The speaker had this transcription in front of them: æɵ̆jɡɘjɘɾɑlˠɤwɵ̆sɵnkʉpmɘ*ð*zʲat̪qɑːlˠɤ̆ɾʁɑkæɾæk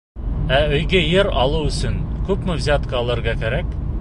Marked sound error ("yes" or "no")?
yes